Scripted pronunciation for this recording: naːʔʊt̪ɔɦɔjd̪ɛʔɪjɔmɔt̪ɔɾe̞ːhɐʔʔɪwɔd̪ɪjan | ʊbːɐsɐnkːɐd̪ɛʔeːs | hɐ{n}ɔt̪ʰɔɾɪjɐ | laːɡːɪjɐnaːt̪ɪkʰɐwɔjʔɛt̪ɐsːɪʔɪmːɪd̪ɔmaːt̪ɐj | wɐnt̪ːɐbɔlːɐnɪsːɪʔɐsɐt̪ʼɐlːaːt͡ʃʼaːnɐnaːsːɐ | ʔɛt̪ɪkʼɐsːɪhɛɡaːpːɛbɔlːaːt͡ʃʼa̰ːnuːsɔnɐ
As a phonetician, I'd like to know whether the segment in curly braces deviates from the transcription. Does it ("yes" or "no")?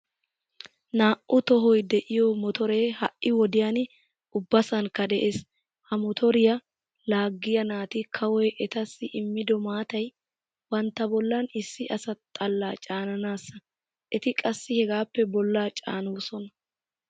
yes